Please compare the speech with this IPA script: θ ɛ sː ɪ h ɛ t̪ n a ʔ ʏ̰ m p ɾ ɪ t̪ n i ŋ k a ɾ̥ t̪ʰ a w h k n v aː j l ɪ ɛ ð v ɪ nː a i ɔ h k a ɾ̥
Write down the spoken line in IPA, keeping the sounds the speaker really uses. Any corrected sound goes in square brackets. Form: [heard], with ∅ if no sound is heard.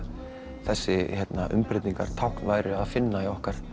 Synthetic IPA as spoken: θ ɛ sː ɪ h ɛ t̪ n a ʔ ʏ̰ m p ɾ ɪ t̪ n i ŋ k a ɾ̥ t̪ʰ a w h k n v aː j [ɾ] ɪ [a] ð [f] ɪ nː a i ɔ h k a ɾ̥